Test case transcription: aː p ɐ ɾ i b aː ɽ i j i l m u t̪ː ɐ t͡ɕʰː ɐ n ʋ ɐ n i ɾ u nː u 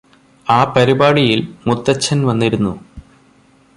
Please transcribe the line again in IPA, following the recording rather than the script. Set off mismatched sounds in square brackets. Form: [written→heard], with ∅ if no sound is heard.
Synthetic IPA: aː p ɐ ɾ i b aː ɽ i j i l m u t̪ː ɐ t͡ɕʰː ɐ n ʋ ɐ [n→nː] i ɾ u nː u

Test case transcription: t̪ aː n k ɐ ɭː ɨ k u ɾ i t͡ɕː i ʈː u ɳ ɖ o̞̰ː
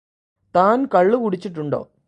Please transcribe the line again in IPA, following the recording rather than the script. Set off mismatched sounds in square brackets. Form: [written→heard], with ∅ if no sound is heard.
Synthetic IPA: t̪ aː n k ɐ ɭː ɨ k u [ɾ→ɽ] i t͡ɕː i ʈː u ɳ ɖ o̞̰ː

